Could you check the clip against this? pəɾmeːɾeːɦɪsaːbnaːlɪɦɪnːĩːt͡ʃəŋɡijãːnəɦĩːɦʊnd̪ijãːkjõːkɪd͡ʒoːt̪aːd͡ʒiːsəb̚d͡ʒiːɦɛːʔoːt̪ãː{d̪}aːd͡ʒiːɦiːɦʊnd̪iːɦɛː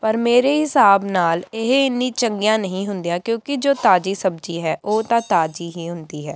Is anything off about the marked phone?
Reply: yes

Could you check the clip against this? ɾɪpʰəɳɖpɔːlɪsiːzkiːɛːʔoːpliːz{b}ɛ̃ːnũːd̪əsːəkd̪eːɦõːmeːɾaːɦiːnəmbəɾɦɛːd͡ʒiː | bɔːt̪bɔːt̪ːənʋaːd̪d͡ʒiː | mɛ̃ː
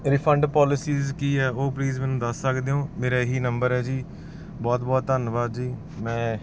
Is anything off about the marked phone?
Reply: yes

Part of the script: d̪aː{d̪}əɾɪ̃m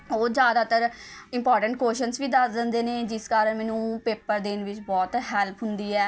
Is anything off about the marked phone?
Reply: yes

